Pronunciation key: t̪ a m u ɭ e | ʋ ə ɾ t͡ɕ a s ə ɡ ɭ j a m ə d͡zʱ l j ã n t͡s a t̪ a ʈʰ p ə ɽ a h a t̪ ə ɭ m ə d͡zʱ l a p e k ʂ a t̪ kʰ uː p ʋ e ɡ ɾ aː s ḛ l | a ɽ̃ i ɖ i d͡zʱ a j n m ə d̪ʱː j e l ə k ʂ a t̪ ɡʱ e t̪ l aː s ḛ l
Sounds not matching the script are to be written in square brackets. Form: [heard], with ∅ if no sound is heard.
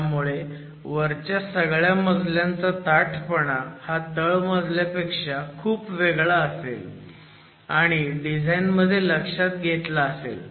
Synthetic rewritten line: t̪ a m u ɭ e | ʋ ə ɾ t͡ɕ a s ə ɡ ɭ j a m ə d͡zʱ l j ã n t͡s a t̪ a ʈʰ p ə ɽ a h a t̪ ə ɭ m ə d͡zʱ l a p e k ʂ a [∅] kʰ uː p ʋ e ɡ [ɭ] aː s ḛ l | a ɽ̃ i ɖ i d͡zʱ a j n m ə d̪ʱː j e l ə k ʂ a t̪ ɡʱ e t̪ l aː s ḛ l